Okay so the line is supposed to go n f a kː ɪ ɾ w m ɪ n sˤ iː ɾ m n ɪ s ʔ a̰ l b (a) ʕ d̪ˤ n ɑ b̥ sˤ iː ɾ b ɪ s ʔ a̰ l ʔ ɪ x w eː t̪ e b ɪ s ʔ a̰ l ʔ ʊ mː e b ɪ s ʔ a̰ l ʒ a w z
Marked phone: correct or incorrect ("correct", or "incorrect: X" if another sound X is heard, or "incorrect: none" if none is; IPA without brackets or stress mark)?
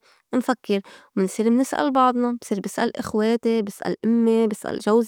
incorrect: ɑ